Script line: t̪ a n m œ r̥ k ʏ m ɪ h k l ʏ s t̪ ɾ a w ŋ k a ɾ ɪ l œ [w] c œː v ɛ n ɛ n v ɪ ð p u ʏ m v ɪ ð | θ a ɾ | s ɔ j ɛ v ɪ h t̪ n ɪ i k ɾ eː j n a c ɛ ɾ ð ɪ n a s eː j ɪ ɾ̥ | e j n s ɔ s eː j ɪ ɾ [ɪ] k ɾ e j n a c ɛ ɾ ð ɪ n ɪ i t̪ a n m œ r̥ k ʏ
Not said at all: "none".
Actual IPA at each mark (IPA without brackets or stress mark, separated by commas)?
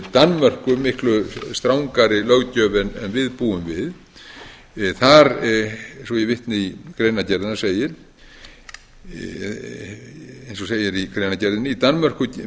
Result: ɣ, i